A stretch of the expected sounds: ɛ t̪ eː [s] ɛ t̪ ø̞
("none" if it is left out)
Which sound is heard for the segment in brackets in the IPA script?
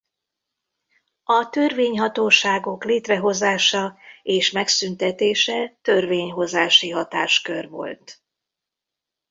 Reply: ʃ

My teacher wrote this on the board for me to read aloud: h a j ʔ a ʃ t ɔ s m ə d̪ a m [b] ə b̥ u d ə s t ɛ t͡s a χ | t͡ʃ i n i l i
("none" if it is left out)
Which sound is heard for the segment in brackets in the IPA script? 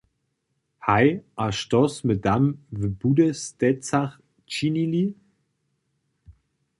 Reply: v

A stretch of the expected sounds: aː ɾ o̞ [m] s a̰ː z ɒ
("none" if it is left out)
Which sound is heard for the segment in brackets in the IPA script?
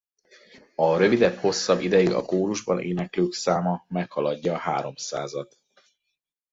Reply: m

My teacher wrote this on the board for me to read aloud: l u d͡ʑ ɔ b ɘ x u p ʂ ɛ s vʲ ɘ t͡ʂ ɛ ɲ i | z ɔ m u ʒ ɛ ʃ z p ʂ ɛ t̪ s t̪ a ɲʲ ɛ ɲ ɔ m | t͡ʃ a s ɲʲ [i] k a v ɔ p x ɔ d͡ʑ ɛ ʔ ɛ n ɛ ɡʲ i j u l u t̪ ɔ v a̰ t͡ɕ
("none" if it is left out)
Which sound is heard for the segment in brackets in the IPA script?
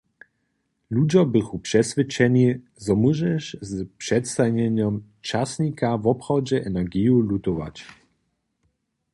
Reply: i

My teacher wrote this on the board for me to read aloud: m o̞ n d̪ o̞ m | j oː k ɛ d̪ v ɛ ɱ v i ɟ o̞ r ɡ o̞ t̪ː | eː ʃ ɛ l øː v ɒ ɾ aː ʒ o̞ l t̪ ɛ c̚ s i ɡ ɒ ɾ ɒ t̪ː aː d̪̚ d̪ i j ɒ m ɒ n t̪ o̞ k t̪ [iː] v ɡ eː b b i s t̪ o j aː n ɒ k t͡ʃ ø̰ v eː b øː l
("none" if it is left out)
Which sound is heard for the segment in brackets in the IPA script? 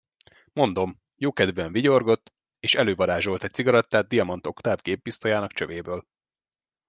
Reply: aː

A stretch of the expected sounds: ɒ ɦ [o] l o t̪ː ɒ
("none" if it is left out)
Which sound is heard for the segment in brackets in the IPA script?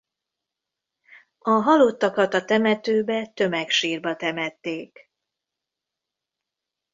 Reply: ɒ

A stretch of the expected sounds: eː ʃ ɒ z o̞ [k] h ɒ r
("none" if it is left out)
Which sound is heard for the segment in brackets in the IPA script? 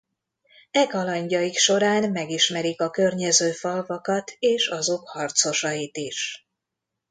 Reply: k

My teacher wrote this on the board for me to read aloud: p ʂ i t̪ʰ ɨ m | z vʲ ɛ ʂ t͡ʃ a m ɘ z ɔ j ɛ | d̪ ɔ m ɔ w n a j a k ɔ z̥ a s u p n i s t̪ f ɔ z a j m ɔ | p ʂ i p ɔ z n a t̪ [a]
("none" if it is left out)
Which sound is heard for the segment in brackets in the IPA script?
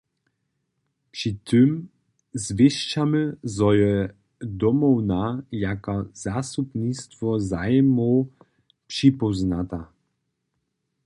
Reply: a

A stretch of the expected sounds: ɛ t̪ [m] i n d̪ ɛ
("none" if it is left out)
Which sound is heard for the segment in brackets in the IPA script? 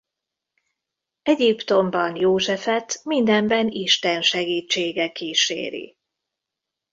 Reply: m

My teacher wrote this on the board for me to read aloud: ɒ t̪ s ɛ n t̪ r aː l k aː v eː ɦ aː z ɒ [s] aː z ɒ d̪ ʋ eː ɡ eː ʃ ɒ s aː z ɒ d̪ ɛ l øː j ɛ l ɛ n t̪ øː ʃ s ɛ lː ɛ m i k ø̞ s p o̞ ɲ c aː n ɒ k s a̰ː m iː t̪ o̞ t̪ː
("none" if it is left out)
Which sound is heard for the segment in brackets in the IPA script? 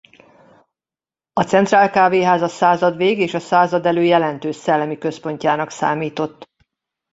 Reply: s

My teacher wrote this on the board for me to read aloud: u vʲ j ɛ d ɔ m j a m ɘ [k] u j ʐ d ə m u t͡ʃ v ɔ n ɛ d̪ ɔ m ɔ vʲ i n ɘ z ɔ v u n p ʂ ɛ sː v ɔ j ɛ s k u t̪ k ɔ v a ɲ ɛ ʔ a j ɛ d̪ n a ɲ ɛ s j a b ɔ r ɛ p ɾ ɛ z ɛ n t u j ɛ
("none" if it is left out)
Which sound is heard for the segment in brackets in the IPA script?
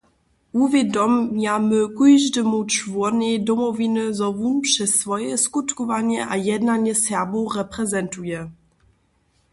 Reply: k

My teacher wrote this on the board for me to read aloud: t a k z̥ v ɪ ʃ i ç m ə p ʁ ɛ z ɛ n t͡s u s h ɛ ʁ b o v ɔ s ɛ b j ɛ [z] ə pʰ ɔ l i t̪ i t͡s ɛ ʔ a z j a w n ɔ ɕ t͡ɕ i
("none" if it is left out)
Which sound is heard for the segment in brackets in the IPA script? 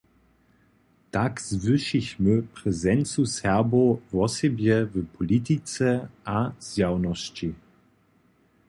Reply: v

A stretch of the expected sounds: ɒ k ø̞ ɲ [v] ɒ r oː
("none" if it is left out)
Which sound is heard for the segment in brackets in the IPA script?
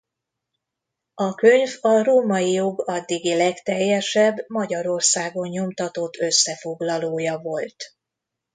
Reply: v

